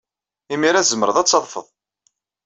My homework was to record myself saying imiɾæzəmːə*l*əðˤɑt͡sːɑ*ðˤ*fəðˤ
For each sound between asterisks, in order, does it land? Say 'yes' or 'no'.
no, yes

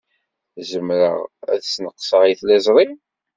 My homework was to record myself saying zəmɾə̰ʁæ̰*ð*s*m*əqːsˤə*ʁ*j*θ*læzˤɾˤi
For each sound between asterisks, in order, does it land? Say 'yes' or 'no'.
yes, no, yes, yes

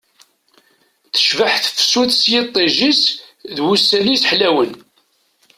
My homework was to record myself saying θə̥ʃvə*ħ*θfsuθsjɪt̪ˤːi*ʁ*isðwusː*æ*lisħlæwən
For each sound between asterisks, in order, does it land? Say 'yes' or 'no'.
yes, no, yes

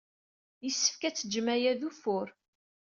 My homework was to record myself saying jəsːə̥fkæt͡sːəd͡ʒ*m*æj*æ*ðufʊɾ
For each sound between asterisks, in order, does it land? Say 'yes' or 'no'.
yes, yes

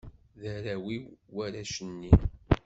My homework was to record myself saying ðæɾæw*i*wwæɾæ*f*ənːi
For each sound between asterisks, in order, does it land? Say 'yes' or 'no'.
yes, no

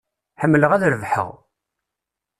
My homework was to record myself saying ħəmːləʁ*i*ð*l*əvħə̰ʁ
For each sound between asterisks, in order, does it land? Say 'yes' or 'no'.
no, no

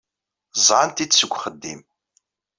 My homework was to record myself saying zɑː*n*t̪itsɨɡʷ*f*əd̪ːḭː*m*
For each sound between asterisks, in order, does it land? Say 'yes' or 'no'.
yes, no, yes

